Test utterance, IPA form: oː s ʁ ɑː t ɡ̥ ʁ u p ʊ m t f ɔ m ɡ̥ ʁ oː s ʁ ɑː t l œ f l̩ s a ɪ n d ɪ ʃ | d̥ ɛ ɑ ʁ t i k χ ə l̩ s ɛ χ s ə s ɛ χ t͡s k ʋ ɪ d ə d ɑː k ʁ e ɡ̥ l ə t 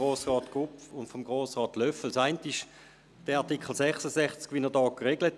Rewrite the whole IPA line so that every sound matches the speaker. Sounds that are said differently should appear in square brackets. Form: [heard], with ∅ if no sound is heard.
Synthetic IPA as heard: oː s ʁ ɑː t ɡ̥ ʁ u p ʊ [n] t f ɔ m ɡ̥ ʁ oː s ʁ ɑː t l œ f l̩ s a ɪ n [t] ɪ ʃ | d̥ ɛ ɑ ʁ t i k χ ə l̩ s ɛ χ s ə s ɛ χ t͡s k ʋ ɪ [n] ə d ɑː k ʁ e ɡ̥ l ə t